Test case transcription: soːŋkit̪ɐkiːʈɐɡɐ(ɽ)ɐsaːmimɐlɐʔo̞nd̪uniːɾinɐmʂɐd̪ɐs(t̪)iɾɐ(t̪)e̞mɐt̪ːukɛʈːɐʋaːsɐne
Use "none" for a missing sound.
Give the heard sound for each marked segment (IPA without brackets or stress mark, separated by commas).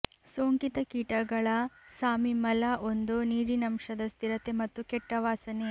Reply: ɭ, t̪, t̪